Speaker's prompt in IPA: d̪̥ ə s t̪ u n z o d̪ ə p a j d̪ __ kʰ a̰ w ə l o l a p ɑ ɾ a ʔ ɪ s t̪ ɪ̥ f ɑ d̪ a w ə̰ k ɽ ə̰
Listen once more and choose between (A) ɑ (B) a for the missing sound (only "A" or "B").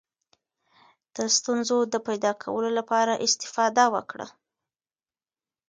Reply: A